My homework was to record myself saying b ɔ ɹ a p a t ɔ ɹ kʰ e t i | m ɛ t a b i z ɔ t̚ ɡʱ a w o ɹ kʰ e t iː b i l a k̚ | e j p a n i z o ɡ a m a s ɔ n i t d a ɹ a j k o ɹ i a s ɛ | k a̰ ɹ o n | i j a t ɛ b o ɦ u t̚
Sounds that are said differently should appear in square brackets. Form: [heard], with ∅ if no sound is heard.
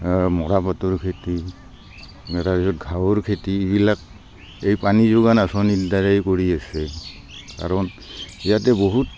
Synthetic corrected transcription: [m] ɔ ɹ a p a t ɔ ɹ kʰ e t i | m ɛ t a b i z ɔ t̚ ɡʱ a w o ɹ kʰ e t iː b i l a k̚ | e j p a n i z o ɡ a [n] a s ɔ n i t d a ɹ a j k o ɹ i a s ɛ | k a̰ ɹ [ɔ] n | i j a t ɛ b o ɦ u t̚